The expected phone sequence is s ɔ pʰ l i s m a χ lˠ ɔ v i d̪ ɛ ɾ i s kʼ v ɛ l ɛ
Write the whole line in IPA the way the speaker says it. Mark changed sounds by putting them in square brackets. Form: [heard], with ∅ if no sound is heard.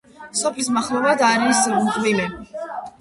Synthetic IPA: s ɔ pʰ l i s m a χ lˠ ɔ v [a] d̪ [a] ɾ i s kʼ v [i] l ɛ